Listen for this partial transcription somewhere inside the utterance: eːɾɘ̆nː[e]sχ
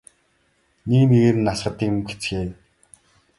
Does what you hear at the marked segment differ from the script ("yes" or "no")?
yes